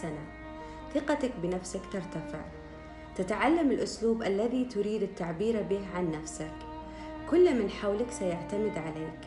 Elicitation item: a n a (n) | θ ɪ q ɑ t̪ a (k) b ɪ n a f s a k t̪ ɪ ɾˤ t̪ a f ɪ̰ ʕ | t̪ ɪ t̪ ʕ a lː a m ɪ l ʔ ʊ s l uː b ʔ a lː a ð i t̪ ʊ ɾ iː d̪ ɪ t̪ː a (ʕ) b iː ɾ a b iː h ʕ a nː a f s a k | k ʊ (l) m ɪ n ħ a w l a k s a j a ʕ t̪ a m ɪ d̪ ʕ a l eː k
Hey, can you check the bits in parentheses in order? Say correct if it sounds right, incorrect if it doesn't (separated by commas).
incorrect, correct, correct, incorrect